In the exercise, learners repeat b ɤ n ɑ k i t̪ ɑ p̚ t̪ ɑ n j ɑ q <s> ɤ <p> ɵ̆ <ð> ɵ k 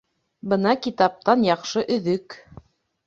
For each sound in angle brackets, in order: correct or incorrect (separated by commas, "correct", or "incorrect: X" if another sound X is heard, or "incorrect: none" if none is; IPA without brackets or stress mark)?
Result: incorrect: ʃ, incorrect: ʔ, correct